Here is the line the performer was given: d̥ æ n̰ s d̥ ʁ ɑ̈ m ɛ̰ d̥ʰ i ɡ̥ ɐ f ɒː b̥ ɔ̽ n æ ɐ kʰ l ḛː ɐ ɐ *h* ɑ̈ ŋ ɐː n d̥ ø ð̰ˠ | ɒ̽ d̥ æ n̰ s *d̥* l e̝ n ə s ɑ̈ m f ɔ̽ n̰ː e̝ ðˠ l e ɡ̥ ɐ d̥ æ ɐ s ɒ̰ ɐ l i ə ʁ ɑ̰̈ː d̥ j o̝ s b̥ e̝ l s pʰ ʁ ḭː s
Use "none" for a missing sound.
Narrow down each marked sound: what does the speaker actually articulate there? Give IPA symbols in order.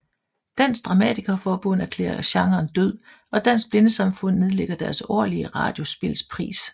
ɕ, b̥

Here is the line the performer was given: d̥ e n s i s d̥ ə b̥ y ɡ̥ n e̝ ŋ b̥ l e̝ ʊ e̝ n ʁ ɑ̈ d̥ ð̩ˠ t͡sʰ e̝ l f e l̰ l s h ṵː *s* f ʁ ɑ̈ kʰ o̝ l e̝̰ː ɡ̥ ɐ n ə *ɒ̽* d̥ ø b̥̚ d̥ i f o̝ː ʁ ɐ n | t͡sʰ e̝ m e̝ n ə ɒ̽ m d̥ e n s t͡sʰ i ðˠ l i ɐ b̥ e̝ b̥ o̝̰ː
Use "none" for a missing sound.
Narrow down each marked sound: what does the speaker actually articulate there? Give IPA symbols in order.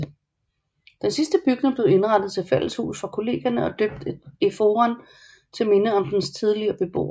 s, ɒ̽

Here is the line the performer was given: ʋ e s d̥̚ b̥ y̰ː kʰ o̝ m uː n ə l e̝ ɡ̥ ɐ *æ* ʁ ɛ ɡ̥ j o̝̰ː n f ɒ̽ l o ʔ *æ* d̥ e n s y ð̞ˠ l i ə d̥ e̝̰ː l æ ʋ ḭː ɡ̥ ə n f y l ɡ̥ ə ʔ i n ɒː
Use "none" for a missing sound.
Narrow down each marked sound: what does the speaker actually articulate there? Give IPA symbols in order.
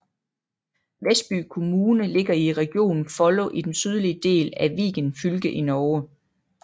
i, i

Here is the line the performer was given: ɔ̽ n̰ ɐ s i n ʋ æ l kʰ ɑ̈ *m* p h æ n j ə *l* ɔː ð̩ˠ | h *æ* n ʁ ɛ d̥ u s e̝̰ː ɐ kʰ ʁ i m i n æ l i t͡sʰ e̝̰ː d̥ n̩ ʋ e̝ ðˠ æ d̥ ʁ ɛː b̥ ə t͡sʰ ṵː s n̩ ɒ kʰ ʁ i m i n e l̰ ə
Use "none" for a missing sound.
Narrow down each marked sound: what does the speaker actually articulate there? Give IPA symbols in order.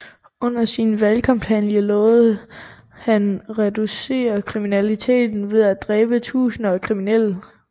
m, l, æ

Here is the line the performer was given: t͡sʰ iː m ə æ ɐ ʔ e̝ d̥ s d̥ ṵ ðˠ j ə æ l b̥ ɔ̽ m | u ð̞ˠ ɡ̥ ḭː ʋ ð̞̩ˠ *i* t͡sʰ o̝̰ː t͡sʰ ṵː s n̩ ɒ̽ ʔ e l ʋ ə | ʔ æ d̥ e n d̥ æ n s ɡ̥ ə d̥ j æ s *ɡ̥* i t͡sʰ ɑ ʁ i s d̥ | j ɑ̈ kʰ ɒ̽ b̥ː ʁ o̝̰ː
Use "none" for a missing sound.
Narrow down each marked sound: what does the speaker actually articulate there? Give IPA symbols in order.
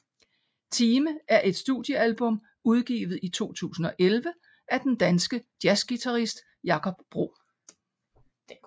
i, ɡ̥

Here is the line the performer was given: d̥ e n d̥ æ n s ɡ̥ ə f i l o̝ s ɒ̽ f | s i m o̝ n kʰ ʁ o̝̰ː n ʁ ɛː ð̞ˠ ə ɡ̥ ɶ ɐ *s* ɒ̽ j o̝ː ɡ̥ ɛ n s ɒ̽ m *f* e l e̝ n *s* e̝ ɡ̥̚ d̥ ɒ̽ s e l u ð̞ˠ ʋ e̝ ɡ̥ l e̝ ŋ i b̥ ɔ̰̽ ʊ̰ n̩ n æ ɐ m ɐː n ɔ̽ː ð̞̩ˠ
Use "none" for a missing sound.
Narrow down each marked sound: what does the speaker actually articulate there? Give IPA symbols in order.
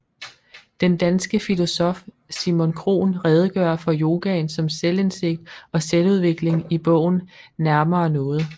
f, s, s

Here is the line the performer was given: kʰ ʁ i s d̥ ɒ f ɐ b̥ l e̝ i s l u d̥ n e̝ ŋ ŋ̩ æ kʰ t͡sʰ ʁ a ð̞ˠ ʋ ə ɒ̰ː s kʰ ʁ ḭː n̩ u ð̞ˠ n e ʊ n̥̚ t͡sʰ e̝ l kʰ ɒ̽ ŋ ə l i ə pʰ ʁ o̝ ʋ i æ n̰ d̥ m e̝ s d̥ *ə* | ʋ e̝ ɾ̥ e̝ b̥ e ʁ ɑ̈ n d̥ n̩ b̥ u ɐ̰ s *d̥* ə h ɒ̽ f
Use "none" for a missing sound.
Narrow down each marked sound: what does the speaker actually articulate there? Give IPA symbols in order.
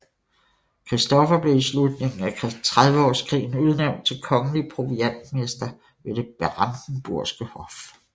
ɐ, ɡ̥

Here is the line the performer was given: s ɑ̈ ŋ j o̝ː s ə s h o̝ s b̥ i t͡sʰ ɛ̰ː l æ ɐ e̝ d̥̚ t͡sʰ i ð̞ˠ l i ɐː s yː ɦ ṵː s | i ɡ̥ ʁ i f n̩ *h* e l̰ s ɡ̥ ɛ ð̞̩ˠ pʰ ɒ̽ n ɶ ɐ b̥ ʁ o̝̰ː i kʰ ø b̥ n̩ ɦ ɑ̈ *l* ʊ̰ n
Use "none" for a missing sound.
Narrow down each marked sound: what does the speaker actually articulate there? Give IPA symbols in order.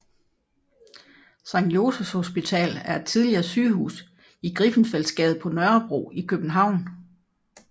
f, none

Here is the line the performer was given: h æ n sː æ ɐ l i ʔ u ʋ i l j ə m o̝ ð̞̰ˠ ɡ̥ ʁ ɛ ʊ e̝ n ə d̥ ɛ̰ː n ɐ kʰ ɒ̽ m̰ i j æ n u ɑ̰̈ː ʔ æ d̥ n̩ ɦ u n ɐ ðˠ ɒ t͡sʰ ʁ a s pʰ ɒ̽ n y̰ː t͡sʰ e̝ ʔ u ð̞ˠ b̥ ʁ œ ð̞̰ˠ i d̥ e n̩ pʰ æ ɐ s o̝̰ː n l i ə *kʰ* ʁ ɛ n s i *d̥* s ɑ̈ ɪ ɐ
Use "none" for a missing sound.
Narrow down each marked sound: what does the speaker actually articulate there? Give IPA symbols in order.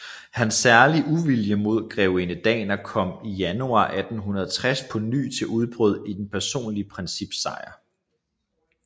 pʰ, b̥

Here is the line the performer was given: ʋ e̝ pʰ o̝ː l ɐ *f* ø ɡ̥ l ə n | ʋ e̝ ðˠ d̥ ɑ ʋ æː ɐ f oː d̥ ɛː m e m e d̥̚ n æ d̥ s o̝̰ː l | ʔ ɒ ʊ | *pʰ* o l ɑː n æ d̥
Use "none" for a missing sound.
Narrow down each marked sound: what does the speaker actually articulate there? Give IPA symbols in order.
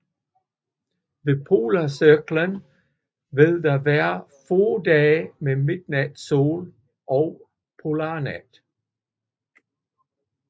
s, pʰ

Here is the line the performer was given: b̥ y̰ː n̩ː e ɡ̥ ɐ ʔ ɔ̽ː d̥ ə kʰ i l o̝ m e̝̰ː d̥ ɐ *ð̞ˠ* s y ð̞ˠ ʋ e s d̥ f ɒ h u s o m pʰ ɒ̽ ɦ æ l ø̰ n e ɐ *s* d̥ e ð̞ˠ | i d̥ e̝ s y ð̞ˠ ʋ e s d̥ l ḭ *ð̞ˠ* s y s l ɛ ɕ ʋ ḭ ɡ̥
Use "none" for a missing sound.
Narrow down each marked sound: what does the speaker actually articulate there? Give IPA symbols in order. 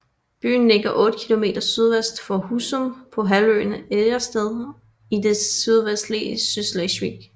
none, s, none

